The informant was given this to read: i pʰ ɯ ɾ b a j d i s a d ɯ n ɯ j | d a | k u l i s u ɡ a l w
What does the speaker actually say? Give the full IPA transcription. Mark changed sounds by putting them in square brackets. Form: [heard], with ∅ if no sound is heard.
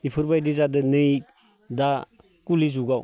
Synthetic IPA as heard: i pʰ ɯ ɾ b a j d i [z] a d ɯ n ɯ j | d a | k u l i [z] u ɡ a [∅] w